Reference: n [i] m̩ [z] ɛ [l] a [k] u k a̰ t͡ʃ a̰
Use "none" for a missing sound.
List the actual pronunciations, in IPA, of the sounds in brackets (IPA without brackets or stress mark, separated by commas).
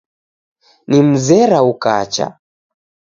i, z, ɾ, none